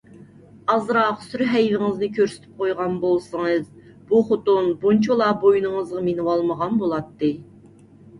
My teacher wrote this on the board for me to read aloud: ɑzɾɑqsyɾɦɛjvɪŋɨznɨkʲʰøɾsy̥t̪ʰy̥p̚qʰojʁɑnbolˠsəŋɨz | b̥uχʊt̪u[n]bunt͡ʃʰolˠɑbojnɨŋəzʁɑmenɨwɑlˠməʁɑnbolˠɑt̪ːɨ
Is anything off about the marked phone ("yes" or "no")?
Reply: no